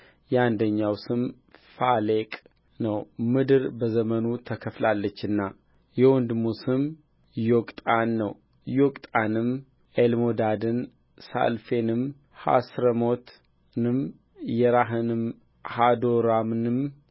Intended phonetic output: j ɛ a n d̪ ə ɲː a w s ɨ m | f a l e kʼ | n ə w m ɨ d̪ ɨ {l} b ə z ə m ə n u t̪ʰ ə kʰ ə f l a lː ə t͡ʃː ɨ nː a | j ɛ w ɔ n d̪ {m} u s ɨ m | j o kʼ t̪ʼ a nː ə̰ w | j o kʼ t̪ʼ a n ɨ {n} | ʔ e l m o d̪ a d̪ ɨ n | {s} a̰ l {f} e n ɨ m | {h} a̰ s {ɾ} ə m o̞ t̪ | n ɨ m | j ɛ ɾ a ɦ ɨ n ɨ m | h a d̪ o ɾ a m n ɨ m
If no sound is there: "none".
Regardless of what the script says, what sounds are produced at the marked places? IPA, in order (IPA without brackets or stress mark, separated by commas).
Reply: ɾ, m, m, s, f, h, ɾ